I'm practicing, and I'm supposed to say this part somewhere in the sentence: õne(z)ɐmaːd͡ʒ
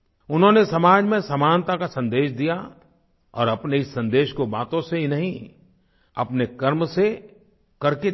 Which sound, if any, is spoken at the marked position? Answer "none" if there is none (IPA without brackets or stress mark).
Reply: s